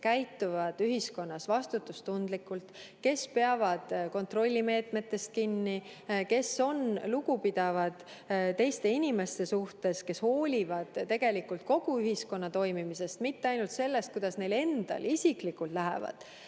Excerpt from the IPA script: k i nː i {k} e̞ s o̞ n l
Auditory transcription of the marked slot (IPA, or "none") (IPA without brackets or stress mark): k